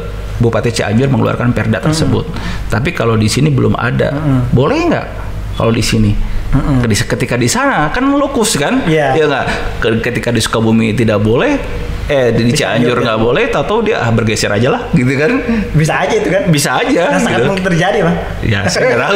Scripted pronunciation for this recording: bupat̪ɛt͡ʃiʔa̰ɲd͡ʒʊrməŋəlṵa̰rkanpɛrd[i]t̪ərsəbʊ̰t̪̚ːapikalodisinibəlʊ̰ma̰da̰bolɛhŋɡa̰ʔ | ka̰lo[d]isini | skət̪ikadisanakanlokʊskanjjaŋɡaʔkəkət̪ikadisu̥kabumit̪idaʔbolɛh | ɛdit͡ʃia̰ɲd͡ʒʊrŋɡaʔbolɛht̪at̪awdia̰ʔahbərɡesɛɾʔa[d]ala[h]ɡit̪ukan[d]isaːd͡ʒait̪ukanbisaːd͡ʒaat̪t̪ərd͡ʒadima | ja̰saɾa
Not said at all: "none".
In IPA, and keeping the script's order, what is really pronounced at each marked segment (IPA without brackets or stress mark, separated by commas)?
a, d, d͡ʒ, h, b